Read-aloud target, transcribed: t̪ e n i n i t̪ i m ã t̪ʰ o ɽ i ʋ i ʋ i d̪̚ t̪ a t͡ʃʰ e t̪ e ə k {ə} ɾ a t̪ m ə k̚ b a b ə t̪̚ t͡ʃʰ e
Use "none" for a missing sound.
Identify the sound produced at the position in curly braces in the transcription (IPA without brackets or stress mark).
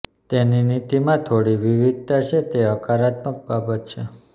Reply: a